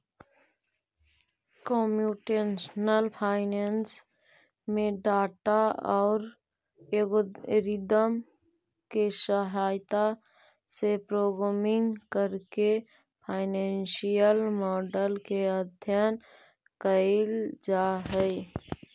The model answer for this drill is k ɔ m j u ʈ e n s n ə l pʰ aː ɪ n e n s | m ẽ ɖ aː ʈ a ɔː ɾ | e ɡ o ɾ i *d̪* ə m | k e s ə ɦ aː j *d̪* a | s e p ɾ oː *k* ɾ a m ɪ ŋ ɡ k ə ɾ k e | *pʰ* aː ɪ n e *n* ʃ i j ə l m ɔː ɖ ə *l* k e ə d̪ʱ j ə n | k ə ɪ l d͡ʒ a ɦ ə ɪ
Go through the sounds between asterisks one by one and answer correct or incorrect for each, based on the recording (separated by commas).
correct, incorrect, incorrect, correct, correct, correct